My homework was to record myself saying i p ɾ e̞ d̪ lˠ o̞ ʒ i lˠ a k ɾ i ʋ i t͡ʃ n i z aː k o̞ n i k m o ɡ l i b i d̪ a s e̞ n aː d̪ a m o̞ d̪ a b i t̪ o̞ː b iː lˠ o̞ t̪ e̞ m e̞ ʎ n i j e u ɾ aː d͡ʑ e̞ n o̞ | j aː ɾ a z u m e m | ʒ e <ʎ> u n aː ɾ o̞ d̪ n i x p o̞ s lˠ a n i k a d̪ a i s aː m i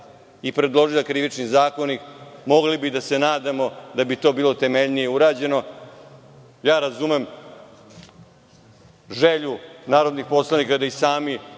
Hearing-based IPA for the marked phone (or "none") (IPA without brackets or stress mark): ʎ